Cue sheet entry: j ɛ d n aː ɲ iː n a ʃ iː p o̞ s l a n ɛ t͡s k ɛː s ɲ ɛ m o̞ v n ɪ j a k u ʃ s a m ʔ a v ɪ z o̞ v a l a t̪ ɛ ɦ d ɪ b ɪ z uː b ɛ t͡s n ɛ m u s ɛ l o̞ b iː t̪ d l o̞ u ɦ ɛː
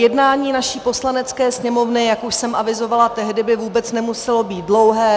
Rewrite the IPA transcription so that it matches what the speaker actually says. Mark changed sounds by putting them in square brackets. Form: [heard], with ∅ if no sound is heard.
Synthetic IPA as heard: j ɛ d n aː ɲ iː n a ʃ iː p o̞ s l a n ɛ t͡s k ɛː s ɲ ɛ m o̞ v n ɪ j a k u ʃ s [ɛ] m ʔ a v ɪ z o̞ v a l a t̪ ɛ ɦ d ɪ b ɪ [v] uː b ɛ t͡s n ɛ m u s ɛ l o̞ b iː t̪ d l o̞ [w] ɦ ɛː

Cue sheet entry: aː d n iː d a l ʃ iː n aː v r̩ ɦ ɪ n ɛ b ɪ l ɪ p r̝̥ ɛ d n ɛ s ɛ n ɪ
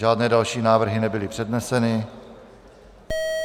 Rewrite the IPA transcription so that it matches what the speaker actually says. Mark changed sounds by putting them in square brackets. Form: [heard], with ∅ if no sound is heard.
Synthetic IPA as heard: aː d n [ɛː] d a l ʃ iː n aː v r̩ ɦ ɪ n ɛ b ɪ l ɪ p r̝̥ ɛ d n ɛ s ɛ n ɪ

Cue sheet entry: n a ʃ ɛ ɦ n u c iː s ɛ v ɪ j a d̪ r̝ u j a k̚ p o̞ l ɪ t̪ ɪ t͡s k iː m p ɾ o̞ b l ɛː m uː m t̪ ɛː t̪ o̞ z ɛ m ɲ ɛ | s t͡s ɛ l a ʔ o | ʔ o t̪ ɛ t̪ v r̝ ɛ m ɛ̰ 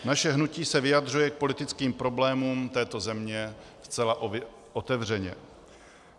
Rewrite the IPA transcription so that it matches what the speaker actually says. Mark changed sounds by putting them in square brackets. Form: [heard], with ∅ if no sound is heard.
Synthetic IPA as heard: n a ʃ ɛ ɦ n u c iː s ɛ v ɪ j a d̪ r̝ u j [ɛ] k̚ p o̞ l ɪ t̪ ɪ t͡s k iː m p ɾ o̞ b l ɛː m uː m t̪ ɛː t̪ o̞ z ɛ m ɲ ɛ | s t͡s ɛ l a ʔ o | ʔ o t̪ ɛ [∅] v r̝ ɛ [ɲ] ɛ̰

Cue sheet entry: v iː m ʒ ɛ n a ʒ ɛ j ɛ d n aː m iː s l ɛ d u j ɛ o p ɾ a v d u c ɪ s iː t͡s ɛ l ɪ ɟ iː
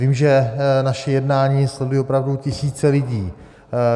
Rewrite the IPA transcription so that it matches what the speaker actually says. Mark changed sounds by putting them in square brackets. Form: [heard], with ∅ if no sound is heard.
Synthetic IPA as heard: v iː m ʒ ɛ n a [ʃ] ɛ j ɛ d n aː [ɲ] iː s l ɛ d u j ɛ o p ɾ a v d u c ɪ s iː t͡s ɛ l ɪ ɟ iː

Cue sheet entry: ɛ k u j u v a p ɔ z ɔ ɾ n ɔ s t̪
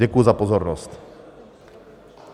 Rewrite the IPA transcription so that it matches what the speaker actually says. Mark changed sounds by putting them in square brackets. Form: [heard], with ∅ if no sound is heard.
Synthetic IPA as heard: ɛ k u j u [z] a p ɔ z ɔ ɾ n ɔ s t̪

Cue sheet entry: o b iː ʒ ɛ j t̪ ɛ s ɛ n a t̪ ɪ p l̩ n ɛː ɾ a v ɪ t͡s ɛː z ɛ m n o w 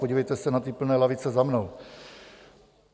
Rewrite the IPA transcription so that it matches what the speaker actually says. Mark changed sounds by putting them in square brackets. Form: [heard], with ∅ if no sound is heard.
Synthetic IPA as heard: o [ɟ] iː [v] ɛ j t̪ ɛ s ɛ n a t̪ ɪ p l̩ n ɛː [l] a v ɪ t͡s [ɛ] z [a] m n o w

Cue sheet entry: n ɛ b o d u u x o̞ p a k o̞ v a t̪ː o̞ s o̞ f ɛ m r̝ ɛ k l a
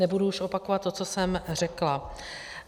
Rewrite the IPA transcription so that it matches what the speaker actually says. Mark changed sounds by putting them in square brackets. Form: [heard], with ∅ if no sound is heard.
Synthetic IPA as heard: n ɛ b [u] d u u [ʃ] o̞ p a k o̞ v a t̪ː o̞ [t͡s] o̞ [s] ɛ m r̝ ɛ k l a

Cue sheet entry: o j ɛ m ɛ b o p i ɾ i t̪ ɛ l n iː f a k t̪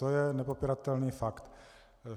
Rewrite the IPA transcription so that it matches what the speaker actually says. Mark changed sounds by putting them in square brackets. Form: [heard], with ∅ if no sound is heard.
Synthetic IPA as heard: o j ɛ [n] ɛ [p] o p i ɾ [a] t̪ ɛ l n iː f a k t̪

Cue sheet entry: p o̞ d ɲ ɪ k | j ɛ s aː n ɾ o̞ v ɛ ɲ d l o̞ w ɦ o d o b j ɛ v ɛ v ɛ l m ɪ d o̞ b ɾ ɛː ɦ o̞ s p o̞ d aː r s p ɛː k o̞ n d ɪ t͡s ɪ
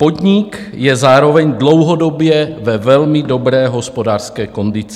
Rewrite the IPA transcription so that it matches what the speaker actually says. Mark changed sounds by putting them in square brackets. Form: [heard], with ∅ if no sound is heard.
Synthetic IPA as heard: p o̞ d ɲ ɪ k | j ɛ [z] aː [∅] ɾ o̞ v ɛ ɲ d l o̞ w ɦ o d o b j ɛ v ɛ v ɛ l m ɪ d o̞ b ɾ ɛː ɦ o̞ s p o̞ d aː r s [k] ɛː k o̞ n d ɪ t͡s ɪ

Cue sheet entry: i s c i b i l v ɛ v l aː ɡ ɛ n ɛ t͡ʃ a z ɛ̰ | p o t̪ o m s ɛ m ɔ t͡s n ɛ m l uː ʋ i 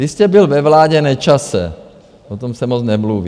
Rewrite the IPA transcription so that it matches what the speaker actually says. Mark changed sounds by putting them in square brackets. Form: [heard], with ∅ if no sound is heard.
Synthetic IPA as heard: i s c [ɛ] b i l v ɛ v l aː [ɟ] ɛ n ɛ t͡ʃ a [s] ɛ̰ | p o t̪ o m s ɛ m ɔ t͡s n ɛ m l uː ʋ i

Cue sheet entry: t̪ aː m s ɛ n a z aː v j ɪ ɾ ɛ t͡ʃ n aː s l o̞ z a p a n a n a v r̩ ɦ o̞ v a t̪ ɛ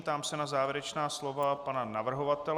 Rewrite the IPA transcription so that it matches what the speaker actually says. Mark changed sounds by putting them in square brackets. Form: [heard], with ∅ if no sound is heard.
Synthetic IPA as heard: t̪ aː m s ɛ n a z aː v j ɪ ɾ ɛ t͡ʃ n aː s l o̞ [v] a p a n a n a v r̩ ɦ o̞ v a t̪ ɛ

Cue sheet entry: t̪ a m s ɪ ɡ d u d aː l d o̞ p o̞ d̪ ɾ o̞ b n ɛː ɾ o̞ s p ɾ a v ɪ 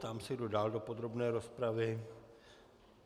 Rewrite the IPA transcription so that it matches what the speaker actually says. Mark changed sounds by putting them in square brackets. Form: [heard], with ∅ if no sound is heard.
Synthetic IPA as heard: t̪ a m s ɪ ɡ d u d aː l d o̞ p o̞ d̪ ɾ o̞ b n ɛː ɾ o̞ s p ɾ a v ɪ

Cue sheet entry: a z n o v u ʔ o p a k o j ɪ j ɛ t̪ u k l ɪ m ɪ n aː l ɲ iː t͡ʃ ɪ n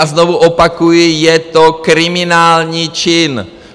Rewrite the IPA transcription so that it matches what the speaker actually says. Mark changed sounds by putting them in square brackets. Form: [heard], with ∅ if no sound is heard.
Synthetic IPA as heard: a z n o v u ʔ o p a k [u] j ɪ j ɛ t̪ [o] k [ɾ] ɪ m ɪ n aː l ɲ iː t͡ʃ ɪ n

